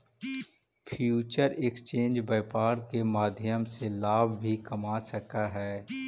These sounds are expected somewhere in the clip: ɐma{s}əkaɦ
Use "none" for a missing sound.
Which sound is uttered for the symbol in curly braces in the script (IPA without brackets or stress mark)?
s